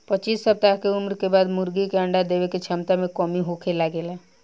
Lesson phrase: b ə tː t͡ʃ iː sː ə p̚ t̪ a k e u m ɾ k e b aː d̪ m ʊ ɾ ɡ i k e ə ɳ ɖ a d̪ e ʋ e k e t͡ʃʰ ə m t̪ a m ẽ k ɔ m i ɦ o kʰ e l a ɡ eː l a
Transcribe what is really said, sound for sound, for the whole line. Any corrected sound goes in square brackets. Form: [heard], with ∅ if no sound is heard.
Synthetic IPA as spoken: [p] ə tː t͡ʃ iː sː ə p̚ t̪ a k e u m ɾ k e b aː d̪ m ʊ ɾ ɡ i k e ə ɳ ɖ a d̪ e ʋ e k e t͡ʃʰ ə m t̪ a m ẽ k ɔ m i ɦ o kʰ e l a ɡ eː l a